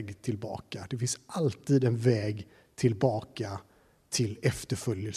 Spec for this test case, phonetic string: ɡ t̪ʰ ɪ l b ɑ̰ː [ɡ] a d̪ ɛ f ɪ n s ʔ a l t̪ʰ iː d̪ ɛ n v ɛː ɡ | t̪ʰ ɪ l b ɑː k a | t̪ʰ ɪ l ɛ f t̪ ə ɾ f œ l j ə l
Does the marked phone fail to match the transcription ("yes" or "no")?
yes